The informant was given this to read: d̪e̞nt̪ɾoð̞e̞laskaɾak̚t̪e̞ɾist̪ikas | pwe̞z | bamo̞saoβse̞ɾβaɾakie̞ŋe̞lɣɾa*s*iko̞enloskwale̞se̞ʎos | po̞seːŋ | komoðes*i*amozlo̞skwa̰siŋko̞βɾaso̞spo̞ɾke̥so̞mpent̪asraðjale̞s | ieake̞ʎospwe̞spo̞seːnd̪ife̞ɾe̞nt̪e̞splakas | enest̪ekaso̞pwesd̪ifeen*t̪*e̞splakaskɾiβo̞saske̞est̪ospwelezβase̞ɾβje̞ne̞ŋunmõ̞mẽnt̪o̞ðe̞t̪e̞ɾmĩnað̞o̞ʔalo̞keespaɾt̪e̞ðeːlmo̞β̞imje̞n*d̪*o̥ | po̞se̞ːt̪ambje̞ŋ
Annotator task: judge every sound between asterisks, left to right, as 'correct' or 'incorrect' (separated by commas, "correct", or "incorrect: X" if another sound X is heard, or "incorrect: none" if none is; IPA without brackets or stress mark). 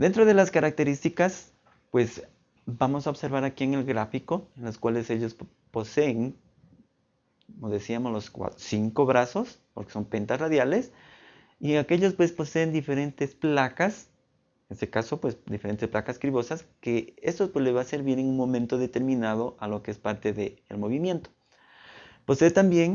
incorrect: f, correct, correct, incorrect: t̪